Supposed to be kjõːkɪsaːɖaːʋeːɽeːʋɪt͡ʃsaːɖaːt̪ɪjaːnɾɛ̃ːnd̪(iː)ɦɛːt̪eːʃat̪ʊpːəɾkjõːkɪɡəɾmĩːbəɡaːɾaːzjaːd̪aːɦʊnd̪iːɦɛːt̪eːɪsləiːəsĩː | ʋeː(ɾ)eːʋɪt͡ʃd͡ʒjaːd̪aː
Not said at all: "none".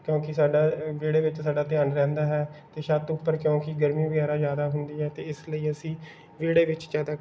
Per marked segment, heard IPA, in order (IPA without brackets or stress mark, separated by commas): aː, ɽ